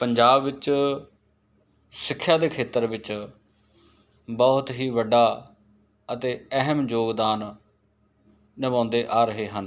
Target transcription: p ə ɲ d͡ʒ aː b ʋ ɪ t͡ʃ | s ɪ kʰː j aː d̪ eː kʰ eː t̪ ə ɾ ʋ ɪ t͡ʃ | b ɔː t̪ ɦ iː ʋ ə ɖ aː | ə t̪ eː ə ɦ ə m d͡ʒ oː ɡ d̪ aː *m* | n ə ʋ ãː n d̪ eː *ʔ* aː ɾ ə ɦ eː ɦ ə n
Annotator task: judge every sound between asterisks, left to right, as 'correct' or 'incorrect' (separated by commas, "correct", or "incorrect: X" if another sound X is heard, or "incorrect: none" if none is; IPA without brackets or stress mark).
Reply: incorrect: n, correct